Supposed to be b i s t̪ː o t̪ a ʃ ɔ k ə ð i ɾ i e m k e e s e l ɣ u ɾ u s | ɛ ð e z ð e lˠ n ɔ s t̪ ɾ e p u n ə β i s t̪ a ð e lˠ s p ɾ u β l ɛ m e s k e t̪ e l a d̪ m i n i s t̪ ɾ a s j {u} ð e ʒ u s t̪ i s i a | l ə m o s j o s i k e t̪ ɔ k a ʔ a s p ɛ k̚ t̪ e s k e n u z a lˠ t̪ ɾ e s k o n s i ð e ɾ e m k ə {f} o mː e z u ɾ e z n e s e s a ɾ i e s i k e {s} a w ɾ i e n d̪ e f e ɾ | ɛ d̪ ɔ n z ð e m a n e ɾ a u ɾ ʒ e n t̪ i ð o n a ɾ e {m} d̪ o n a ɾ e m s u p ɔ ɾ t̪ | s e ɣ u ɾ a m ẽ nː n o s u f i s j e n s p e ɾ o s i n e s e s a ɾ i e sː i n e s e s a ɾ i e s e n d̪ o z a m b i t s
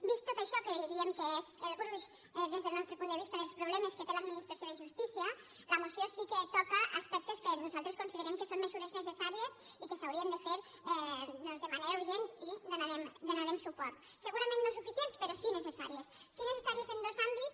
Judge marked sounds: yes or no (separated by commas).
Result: no, no, yes, yes